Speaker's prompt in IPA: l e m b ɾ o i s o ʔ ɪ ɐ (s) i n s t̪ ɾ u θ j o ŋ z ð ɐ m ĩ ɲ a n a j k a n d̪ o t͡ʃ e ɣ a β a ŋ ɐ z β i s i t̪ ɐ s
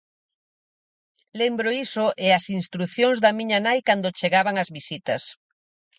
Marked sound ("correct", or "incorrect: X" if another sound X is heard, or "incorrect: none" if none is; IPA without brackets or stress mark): correct